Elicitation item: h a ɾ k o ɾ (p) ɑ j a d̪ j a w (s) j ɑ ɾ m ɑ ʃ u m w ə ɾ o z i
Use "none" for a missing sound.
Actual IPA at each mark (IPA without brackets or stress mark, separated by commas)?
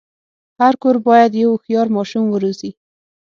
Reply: b, x